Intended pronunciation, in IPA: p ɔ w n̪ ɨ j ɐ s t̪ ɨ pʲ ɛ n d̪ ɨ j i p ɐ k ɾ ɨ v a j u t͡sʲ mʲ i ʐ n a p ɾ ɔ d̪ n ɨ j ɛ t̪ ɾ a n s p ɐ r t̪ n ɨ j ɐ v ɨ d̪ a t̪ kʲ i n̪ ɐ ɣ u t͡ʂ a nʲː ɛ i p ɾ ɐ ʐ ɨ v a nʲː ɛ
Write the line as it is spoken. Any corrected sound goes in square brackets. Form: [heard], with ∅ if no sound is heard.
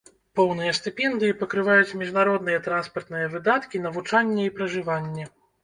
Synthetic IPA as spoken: p ɔ w n̪ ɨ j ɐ s t̪ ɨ pʲ ɛ n d̪ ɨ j i p ɐ k ɾ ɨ v a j u t͡sʲ mʲ i ʐ n a [∅] ɾ ɔ d̪ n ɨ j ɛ t̪ ɾ a n s p ɐ r t̪ n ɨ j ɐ v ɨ d̪ a t̪ kʲ i n̪ ɐ [v] u t͡ʂ a nʲː ɛ i p ɾ ɐ ʐ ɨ v a nʲː ɛ